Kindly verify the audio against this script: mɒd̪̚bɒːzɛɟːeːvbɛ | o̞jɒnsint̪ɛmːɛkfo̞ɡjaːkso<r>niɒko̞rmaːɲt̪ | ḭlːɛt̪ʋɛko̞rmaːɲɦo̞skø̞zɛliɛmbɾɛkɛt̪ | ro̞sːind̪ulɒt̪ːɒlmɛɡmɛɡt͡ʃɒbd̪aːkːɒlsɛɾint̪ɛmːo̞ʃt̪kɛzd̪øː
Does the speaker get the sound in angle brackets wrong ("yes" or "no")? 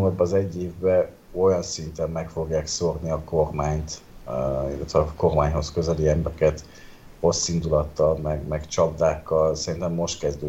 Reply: no